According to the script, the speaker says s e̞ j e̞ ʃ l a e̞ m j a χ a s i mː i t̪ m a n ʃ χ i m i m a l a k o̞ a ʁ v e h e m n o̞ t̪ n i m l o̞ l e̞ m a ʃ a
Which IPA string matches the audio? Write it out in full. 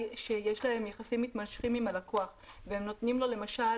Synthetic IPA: ʃ e̞ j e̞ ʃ l a e̞ m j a χ a s i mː i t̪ m a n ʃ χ i m i m a l a k o̞ a χ v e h e m n o̞ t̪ n i m l o̞ l e̞ m a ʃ a

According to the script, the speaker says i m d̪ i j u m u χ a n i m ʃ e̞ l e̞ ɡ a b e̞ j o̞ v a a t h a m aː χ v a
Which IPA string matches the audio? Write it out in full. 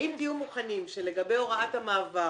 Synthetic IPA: i m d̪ i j u m u χ a n i m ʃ e̞ l e̞ ɡ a b e̞ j o̞ ʁ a a t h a m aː v a

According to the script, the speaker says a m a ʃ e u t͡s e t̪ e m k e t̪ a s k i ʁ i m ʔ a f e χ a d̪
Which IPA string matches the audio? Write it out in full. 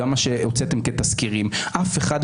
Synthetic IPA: a m a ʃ e o t͡s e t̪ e m k e t̪ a s k i ʁ i m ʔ a f e χ a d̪

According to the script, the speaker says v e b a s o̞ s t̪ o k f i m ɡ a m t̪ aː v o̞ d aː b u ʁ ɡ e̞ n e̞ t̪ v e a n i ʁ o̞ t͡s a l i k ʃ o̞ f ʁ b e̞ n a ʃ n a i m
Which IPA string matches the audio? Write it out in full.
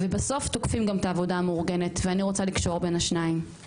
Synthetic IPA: v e b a s o̞ f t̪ o k f i m ɡ a m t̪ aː v o̞ d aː m u ʁ ɡ e̞ n e̞ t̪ v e a n i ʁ o̞ t͡s a l i k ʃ o̞ ʁ b e̞ n a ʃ n a i m

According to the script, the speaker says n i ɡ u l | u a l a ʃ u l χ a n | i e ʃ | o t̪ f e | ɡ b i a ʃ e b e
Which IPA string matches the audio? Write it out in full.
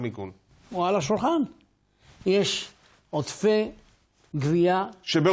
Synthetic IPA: m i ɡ u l | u a l a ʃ u l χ a n | j e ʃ | o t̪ f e | ɡ v i a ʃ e b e

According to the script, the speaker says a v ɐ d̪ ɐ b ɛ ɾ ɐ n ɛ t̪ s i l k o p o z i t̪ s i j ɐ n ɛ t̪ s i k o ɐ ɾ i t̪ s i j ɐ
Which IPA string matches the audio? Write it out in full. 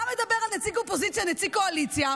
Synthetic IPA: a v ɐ d̪ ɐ b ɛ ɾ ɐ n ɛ t̪ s i k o p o z i t̪ s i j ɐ n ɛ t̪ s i k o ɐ l i t̪ s i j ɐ

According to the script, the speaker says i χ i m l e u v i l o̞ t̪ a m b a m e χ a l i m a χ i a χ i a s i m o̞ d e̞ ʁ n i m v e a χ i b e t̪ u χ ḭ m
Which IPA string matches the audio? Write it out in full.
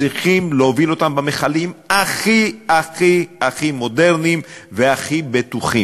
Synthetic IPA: i χ i m l e o v i l o̞ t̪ a m b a m e χ a l i m a χ i a χ i a χ i m o̞ d e̞ ʁ n i m v e a χ i b e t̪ u χ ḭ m

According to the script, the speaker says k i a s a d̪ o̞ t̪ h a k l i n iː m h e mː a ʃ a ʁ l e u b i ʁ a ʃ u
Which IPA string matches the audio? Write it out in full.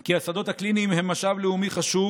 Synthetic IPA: k i a s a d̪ o̞ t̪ h a k l i n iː m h e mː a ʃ a v l e u m i χ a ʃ u

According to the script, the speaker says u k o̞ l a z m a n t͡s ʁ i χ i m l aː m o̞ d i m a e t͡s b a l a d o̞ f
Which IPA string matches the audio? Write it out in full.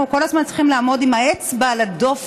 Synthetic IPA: u k o̞ l a z m a n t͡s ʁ i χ i m l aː m o̞ d i m a e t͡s b a l a d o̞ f

